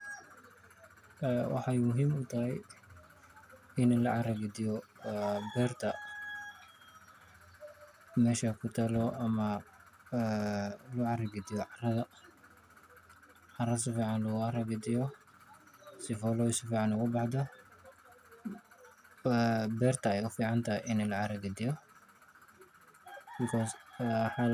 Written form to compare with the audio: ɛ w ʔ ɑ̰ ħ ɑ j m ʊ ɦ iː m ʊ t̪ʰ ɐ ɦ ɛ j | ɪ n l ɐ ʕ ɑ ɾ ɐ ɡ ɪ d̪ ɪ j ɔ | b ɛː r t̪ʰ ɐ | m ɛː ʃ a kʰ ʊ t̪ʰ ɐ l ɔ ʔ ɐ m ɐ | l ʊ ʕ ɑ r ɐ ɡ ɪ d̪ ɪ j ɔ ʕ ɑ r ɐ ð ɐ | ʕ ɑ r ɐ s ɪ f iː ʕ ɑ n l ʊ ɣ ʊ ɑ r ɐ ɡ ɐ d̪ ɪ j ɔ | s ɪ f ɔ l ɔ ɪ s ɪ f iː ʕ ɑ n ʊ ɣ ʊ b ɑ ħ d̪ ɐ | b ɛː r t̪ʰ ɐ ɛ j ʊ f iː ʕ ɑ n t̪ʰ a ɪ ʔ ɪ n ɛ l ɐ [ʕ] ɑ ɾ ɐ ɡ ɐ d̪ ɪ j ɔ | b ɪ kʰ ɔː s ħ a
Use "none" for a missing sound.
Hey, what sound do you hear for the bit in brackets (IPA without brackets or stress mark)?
ʕ